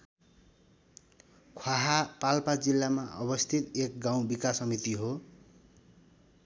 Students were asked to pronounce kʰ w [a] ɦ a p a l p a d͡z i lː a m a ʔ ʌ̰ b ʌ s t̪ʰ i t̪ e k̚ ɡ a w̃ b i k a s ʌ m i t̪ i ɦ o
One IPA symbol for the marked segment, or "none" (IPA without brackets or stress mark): a